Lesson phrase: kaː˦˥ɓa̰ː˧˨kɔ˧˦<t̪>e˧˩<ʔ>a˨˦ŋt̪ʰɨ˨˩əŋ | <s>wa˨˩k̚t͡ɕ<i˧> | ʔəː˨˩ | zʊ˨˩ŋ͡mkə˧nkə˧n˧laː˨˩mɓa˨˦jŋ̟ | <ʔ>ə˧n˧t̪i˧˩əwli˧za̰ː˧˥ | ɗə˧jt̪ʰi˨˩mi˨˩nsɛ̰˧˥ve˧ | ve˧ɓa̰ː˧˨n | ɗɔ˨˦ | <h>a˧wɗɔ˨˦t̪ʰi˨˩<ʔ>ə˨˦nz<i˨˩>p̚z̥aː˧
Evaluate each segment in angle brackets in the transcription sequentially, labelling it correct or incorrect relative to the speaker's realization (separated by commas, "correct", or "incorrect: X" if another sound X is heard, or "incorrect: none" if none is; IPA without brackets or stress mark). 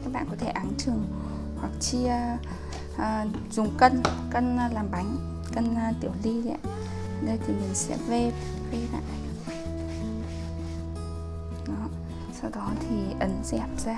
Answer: incorrect: t̪ʰ, correct, incorrect: h, correct, incorrect: k, incorrect: s, correct, incorrect: ɛ˨˩